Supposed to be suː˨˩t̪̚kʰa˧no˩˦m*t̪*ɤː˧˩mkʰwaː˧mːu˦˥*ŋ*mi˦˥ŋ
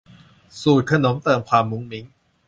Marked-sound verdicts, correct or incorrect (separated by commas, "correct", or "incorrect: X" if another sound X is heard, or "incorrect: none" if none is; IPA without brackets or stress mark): correct, correct